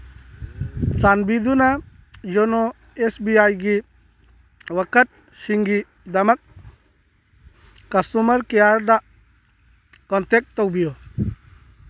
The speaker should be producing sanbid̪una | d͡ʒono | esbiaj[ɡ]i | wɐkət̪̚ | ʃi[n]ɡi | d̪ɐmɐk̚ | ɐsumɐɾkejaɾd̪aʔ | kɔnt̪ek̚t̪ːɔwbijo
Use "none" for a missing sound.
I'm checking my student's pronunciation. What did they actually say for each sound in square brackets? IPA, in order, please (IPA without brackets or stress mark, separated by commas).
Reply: ɡ, ŋ